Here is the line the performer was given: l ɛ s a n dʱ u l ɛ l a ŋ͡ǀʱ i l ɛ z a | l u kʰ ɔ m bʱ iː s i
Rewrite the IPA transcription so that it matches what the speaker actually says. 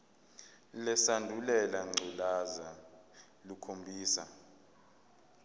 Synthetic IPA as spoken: l ɛ s a n dʱ u l ɛ l a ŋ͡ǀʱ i l a z a | l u kʰ o m bʱ iː s a